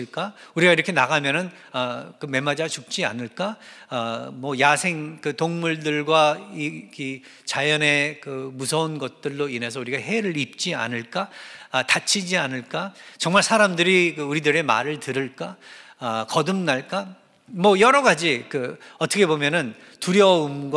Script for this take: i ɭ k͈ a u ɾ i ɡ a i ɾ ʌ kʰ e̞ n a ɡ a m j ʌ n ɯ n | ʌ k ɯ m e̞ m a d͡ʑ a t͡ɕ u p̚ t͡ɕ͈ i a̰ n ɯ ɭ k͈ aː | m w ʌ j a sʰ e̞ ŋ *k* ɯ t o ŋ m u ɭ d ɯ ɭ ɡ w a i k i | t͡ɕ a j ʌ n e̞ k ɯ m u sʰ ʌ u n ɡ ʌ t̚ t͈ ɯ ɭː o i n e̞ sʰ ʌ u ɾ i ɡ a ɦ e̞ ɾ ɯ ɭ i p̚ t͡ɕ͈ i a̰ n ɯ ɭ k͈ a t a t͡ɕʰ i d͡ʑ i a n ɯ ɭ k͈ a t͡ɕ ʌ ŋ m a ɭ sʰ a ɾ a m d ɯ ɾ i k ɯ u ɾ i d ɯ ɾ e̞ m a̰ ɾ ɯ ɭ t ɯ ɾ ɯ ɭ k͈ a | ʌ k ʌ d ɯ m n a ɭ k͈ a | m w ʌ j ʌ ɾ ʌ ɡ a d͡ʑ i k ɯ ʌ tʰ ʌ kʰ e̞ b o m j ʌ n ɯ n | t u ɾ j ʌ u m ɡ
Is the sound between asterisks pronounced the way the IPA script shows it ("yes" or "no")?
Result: yes